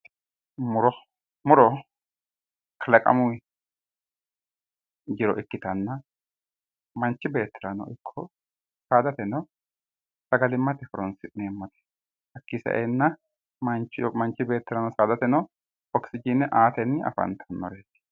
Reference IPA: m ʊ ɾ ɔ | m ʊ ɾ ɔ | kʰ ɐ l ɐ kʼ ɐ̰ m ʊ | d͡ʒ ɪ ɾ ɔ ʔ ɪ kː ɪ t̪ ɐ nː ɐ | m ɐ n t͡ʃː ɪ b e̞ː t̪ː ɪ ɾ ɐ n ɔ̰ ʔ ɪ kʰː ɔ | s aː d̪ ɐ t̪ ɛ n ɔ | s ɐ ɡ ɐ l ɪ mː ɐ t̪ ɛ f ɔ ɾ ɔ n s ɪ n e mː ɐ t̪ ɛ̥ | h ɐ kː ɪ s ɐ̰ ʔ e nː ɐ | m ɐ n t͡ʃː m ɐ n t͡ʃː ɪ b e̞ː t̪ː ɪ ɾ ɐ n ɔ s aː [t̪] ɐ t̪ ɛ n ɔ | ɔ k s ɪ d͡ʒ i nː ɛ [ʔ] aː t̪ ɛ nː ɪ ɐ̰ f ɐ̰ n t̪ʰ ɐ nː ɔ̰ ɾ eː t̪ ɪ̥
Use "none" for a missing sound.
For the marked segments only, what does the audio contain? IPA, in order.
d̪, ʔ

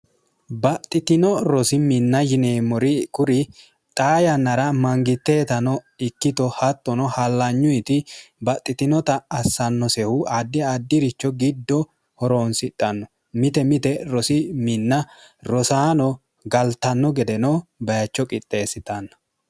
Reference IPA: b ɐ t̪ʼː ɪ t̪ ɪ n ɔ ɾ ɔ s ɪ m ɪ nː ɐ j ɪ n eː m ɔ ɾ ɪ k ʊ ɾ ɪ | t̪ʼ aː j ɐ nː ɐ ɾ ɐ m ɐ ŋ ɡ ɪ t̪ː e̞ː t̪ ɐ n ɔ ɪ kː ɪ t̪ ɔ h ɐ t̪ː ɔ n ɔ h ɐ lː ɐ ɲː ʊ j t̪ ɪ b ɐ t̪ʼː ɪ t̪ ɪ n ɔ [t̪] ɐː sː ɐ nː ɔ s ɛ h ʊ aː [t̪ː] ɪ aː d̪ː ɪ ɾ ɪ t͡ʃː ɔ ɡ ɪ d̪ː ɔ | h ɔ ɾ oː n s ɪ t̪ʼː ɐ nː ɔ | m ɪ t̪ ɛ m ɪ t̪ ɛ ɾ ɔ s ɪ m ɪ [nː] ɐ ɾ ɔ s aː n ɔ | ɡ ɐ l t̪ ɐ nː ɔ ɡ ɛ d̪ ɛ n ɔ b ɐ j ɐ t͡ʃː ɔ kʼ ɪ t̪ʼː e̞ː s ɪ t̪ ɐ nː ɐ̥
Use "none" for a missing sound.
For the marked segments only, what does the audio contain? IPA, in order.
t̪, d̪ː, nː

